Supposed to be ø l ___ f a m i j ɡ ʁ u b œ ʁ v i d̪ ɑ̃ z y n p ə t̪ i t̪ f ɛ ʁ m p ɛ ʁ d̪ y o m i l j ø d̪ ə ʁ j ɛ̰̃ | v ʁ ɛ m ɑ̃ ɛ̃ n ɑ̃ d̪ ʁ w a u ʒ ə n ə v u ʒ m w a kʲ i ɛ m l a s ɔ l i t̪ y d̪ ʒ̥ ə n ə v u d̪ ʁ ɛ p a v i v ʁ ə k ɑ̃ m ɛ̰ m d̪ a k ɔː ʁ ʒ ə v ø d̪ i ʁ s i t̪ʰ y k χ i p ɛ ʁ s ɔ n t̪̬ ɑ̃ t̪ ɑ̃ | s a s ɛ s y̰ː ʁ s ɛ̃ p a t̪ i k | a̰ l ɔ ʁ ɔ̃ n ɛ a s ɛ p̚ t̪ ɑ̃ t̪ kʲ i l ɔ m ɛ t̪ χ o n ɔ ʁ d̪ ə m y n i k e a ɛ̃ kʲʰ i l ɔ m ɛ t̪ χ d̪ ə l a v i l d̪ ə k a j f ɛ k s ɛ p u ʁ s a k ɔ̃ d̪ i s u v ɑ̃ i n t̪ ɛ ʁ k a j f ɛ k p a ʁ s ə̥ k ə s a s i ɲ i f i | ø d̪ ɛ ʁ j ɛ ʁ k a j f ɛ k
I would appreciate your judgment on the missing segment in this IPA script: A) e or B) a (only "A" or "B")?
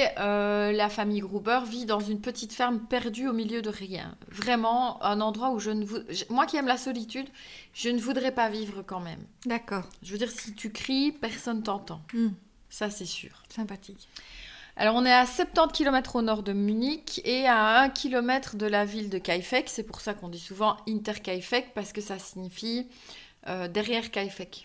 B